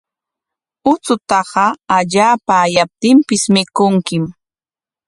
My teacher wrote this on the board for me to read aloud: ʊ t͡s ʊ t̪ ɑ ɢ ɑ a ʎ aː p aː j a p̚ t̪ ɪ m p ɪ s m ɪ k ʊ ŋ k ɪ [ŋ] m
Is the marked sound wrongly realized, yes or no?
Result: yes